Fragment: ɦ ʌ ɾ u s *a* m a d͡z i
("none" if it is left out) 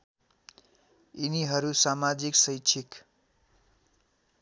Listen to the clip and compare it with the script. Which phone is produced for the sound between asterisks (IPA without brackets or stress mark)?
a